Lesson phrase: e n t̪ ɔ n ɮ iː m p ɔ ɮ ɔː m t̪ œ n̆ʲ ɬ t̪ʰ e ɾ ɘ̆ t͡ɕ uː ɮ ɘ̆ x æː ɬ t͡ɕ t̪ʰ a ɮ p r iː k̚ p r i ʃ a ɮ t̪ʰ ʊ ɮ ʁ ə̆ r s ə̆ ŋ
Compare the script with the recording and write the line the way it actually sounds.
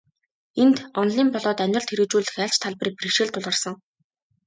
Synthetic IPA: e n t̪ ɔ n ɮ iː m p ɔ ɮ ɔː t̪ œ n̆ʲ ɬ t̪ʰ e ɾ ɘ̆ t͡ɕ uː ɮ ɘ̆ x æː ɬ t͡ɕ t̪ʰ a ɮ p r iː k̚ p r i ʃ e ɮ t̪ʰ ʊ ɮ ʁ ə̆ r s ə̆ ŋ

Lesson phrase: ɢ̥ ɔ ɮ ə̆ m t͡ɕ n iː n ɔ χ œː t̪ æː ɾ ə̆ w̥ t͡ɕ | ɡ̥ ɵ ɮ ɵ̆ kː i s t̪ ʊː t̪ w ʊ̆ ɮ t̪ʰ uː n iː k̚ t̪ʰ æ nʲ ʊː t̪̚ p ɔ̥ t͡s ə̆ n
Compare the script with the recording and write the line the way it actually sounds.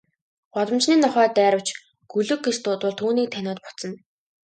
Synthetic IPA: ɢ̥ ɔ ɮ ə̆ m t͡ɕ n iː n ɔ χ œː t̪ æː ɾ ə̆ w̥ t͡ɕ | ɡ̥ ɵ ɮ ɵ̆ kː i s t̪ ʊː t̪ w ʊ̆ ɮ t̪ʰ uː n iː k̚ t̪ʰ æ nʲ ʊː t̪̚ p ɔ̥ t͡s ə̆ n

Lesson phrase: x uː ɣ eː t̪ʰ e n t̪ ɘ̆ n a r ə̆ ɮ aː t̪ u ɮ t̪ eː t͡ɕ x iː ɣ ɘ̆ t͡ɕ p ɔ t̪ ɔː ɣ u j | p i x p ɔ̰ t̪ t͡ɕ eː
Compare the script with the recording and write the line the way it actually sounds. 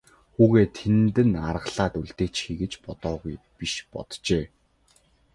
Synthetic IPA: x uː ɣ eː t̪ʰ e n t̪ ɘ̆ n a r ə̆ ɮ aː t̪ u ɮ t̪ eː t͡ɕ x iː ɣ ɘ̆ t͡ɕ p ɔ t̪ ɔː ɣ u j | p i ʃ p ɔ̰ t̪ t͡ɕ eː

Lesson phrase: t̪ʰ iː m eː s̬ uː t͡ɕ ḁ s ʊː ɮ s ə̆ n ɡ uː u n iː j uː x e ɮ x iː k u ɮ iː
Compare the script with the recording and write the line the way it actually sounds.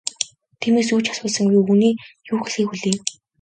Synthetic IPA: t̪ʰ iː m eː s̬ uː t͡ɕ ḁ s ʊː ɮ s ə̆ ŋ ɡ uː u n iː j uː x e ɮ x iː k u ɮ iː

